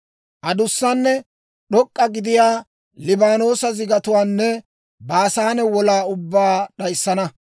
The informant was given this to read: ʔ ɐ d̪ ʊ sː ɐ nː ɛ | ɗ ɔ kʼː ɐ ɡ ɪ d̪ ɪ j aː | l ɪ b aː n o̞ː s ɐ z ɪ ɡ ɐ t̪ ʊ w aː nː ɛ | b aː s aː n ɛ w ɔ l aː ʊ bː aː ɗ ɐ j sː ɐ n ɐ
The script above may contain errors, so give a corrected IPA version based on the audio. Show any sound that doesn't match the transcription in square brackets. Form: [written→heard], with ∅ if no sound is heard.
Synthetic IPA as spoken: ʔ ɐ d̪ ʊ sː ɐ nː ɛ | ɗ ɔ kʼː ɐ ɡ ɪ d̪ ɪ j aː | l ɪ b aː n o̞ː s ɐ z ɪ ɡ ɐ t̪ ʊ w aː nː ɛ | b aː s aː n ɛ w ɔ l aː ʊ bː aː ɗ ɐ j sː ɐ n ɐ